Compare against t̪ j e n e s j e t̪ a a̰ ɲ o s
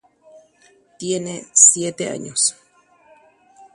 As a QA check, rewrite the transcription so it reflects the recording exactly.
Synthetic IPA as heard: t̪ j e n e s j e t̪ e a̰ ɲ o s